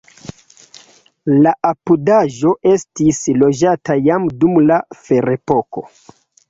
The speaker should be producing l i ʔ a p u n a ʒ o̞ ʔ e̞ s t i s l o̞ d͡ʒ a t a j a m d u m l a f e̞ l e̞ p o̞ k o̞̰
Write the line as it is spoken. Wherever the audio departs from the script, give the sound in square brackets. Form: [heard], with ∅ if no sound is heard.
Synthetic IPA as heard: l [a] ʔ a p u [d] a ʒ o̞ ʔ e̞ s t i s l o̞ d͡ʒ a t a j a m d u m l a f e̞ [ɾ] e̞ p o̞ k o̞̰